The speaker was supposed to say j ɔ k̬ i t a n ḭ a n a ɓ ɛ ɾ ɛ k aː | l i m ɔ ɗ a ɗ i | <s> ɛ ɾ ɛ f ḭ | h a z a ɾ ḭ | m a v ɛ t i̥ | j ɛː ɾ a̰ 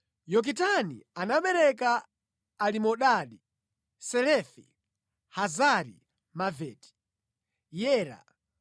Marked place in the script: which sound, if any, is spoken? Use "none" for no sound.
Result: s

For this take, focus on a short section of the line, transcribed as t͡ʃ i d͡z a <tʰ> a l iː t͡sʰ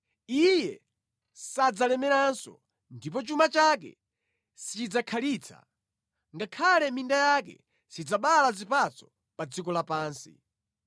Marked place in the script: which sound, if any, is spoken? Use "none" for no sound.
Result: kʰ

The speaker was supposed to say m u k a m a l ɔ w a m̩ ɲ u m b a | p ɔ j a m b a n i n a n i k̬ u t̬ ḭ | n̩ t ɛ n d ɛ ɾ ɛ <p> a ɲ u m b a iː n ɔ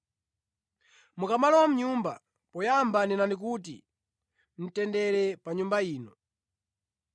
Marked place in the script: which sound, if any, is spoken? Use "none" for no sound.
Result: p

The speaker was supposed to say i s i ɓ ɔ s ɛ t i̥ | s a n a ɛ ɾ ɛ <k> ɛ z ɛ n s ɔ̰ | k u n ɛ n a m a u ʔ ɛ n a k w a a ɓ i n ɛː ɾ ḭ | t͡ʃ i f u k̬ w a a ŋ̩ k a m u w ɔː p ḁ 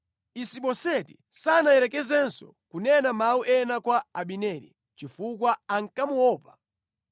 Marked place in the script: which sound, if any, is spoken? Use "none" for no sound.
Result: k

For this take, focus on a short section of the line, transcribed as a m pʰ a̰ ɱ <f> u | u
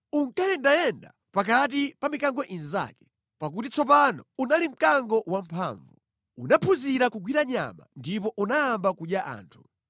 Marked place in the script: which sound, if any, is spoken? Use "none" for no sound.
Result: v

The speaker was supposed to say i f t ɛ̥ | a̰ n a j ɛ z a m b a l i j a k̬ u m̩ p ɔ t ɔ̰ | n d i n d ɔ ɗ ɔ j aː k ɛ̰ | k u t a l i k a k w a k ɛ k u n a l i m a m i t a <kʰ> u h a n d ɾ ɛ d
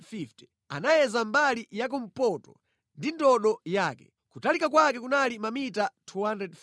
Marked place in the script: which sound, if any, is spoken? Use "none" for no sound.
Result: tʰ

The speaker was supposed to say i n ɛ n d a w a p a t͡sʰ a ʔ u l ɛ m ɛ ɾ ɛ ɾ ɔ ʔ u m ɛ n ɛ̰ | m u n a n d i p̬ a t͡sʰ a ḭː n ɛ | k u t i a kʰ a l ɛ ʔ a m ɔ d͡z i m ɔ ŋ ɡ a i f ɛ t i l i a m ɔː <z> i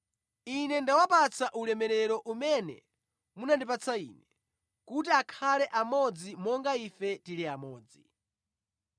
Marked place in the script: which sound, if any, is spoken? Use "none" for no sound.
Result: d͡z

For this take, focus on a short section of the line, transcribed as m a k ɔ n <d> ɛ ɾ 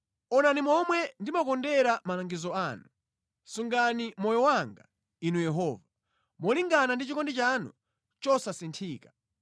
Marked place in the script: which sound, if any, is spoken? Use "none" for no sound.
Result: d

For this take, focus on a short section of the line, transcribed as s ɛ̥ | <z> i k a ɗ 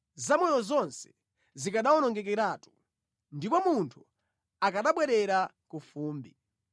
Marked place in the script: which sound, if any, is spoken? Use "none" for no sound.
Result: z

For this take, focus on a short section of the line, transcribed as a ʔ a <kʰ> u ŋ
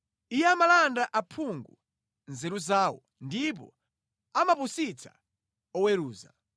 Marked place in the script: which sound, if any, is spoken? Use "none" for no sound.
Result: pʰ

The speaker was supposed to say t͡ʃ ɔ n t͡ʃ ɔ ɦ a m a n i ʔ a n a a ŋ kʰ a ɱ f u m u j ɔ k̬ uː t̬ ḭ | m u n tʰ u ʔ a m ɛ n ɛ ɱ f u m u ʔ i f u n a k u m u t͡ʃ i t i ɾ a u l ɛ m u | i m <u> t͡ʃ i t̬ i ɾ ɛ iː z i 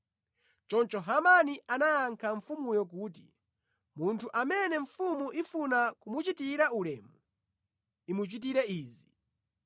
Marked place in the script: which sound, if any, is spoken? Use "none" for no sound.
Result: u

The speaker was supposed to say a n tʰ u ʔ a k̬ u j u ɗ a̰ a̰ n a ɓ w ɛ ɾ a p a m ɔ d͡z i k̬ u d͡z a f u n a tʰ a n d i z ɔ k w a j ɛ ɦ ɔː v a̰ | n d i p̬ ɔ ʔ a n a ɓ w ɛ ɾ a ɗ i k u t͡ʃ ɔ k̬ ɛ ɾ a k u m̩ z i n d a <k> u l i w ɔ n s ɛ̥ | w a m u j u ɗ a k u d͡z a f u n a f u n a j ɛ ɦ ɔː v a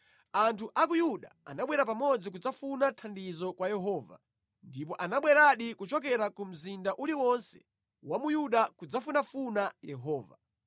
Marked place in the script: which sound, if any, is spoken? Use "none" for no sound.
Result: ʔ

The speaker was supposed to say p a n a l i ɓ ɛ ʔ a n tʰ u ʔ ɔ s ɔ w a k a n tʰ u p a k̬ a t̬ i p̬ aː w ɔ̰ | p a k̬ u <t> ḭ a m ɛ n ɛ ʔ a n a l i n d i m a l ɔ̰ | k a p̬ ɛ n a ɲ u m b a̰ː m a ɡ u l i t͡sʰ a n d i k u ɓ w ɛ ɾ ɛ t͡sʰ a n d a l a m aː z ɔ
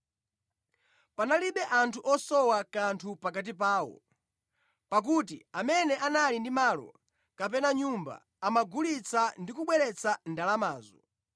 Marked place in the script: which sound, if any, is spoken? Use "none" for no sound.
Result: t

